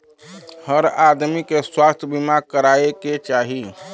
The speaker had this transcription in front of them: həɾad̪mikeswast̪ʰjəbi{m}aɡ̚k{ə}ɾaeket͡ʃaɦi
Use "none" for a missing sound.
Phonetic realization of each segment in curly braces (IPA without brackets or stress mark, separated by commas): m, ə